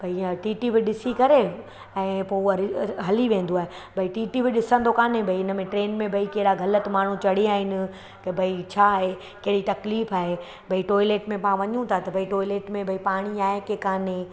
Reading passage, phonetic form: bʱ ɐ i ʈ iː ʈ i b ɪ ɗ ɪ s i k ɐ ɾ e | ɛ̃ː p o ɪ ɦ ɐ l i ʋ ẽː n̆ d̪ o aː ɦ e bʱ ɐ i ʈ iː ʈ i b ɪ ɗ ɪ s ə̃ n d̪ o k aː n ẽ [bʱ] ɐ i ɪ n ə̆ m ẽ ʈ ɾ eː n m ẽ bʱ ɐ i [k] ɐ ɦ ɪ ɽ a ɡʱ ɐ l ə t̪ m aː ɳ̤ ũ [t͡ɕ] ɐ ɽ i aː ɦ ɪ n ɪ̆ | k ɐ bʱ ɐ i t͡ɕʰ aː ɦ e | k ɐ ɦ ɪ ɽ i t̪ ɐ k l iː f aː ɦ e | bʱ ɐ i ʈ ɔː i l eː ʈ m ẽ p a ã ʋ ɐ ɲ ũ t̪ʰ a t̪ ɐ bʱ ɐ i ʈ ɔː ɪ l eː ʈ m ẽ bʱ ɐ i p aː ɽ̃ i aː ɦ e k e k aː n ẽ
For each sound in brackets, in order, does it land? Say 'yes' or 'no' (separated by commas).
yes, yes, yes